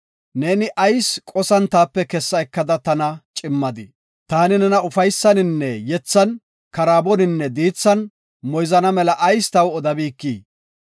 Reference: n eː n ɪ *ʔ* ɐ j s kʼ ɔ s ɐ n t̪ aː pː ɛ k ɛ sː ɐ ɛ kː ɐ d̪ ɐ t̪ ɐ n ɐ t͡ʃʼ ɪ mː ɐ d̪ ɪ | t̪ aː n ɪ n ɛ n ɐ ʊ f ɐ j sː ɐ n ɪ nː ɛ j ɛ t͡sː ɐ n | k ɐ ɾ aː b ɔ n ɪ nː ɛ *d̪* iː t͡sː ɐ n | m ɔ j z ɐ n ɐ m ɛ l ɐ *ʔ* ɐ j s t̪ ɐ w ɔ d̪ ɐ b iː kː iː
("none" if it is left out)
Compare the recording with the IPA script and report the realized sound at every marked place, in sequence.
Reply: ʔ, d̪, ʔ

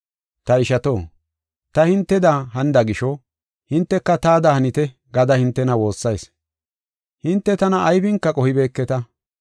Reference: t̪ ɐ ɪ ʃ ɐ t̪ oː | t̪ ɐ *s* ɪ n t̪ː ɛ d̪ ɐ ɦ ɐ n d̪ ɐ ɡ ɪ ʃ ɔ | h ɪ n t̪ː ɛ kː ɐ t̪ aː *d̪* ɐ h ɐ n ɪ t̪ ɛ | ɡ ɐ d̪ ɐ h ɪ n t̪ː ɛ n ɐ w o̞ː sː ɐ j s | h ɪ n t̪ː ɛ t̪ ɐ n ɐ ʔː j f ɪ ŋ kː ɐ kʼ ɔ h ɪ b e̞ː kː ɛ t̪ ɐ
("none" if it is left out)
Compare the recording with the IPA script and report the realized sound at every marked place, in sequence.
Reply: h, d̪

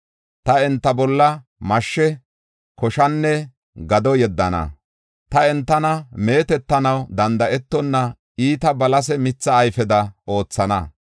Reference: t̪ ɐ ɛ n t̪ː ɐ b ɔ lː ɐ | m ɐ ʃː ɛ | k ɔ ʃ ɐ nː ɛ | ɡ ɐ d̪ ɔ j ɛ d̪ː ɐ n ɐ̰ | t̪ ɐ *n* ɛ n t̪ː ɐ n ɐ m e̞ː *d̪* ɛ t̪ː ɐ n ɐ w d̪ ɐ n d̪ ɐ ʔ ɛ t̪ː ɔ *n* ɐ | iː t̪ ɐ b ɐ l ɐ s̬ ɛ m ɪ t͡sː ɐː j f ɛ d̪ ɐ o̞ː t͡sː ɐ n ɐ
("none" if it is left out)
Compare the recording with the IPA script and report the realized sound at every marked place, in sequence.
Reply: none, t̪, nː

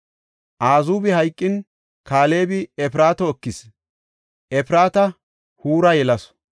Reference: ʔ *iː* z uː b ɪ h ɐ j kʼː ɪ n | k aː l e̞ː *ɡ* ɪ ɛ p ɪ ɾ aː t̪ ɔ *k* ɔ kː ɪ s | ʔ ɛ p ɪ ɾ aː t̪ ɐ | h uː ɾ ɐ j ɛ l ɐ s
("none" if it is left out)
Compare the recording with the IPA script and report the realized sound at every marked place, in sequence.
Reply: aː, b, none

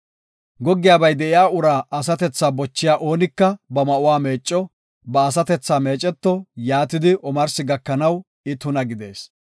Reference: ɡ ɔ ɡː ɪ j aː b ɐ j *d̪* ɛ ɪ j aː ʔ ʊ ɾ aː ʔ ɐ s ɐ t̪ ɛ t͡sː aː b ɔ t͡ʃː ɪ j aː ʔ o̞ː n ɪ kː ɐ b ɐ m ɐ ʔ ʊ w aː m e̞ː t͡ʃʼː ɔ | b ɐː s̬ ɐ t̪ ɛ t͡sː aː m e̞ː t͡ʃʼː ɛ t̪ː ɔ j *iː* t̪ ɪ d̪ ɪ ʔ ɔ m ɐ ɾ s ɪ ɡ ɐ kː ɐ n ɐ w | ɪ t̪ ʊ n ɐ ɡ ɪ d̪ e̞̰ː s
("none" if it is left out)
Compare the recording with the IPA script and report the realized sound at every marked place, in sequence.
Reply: d̪, aː

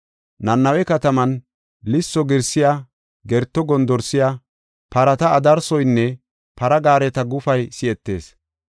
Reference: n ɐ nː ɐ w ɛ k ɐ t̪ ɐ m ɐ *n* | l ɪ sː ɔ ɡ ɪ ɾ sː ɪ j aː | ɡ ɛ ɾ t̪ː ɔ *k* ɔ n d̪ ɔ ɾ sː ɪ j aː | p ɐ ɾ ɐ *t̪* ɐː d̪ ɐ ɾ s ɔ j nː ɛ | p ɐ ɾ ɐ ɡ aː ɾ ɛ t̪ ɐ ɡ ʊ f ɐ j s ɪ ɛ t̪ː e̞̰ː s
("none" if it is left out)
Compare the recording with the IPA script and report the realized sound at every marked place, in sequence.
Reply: n, ɡ, t̪

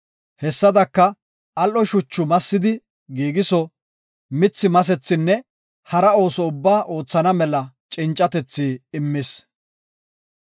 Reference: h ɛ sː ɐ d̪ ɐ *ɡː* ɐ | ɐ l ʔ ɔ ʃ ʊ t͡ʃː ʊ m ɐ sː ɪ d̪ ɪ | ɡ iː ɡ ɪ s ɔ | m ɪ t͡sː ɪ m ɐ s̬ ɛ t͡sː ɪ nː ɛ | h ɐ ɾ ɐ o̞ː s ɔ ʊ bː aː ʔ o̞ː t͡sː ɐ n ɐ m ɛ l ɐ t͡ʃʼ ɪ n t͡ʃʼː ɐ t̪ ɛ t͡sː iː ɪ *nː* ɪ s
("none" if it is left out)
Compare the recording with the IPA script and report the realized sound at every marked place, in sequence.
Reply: kː, mː

